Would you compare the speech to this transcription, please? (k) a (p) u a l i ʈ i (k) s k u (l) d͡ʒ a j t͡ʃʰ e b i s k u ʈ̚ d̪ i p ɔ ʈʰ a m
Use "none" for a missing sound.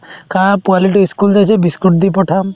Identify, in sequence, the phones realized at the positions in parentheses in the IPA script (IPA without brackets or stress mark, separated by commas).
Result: k, p, none, l